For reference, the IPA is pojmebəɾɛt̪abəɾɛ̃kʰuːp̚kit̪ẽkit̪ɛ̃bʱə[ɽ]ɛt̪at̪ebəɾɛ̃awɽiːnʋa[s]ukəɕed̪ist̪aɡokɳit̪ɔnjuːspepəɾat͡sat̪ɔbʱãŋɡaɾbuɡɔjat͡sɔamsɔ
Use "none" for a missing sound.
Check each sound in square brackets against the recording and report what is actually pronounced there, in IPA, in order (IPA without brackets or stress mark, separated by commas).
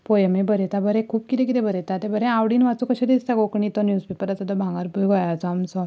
ɾ, t͡s